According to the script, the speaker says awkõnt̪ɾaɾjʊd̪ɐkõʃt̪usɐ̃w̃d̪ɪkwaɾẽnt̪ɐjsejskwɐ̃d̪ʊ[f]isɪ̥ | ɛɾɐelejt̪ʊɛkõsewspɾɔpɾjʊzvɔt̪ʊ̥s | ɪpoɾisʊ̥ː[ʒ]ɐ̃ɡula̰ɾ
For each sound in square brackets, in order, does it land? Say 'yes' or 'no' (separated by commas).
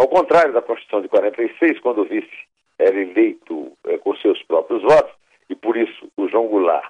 no, yes